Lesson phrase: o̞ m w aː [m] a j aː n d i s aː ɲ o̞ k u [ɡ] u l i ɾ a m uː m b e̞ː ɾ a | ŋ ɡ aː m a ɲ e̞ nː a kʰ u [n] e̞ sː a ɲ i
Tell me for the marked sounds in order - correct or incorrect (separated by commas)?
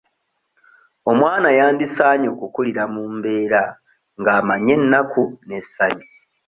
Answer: incorrect, incorrect, correct